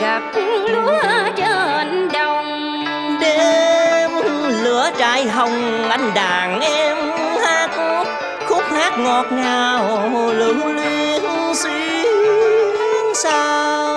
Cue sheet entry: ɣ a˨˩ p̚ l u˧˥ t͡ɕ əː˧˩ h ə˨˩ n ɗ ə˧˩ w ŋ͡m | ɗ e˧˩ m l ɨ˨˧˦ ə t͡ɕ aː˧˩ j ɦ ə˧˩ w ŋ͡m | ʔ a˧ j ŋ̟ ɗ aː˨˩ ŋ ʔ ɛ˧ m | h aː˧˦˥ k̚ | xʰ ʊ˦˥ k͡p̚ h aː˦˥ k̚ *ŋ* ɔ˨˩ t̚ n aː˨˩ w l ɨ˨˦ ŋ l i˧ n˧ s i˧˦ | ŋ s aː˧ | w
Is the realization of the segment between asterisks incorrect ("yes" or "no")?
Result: no